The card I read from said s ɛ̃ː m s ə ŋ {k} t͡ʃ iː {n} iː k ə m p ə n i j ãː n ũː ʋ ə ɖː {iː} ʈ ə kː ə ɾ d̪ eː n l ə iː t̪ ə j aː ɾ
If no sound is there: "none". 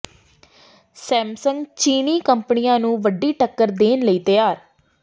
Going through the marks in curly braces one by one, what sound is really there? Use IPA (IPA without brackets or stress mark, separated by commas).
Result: ɡ, n, iː